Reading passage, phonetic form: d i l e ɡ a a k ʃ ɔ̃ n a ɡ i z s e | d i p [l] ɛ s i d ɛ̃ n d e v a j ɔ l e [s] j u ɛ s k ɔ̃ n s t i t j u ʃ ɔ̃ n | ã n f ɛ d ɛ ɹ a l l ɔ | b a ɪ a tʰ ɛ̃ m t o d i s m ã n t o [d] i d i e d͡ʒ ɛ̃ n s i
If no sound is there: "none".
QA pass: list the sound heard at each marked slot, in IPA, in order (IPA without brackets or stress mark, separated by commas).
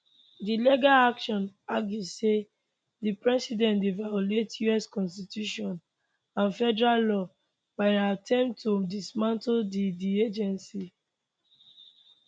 ɹ, t, d